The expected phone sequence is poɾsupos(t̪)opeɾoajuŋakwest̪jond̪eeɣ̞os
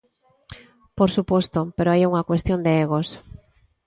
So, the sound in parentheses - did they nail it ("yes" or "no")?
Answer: yes